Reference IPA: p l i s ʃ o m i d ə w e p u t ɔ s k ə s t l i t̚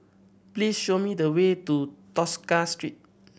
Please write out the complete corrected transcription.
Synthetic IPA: p l i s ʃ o m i d ə w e t u t ɔ s k a s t ɹ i t̚